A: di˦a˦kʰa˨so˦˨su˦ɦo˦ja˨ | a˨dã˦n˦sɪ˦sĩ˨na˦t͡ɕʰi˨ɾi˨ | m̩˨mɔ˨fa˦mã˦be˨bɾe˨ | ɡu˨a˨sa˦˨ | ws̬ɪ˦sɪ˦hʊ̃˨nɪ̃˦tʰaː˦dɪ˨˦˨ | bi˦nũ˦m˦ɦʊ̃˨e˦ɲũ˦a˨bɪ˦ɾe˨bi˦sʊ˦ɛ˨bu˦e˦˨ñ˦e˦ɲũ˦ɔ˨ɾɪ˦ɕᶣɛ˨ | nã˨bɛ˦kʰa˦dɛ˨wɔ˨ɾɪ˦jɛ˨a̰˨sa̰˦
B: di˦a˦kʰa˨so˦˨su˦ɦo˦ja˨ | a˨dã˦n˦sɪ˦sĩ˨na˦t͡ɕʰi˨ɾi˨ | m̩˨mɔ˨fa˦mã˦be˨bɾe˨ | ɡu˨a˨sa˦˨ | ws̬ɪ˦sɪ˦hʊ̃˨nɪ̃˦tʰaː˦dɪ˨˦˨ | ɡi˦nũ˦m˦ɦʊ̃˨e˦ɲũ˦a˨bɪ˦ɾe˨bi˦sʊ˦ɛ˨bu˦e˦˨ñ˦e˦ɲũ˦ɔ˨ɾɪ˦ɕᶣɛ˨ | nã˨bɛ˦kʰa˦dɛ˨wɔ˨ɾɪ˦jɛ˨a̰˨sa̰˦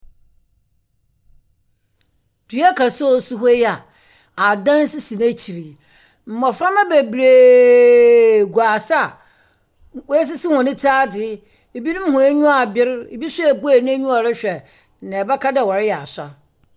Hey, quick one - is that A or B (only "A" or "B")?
A